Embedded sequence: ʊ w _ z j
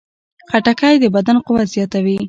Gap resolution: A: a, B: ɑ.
A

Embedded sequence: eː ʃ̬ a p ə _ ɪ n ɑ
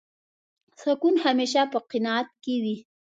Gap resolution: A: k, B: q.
B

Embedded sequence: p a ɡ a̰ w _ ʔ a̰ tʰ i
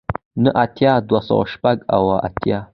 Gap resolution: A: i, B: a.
B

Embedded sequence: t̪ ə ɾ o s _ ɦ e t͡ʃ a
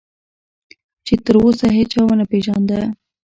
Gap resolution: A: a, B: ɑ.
A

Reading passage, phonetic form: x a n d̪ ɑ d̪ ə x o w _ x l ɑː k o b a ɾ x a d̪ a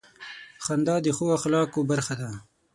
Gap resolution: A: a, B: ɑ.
A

